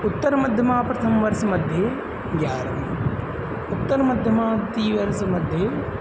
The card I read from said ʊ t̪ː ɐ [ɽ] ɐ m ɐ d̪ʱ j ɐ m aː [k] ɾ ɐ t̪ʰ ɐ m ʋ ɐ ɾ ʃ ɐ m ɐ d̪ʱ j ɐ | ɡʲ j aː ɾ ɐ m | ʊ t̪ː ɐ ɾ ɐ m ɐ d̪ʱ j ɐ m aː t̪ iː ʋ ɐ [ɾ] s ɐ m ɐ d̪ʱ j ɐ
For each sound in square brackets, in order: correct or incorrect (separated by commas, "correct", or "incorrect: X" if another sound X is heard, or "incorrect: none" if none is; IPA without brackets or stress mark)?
incorrect: ɾ, incorrect: p, correct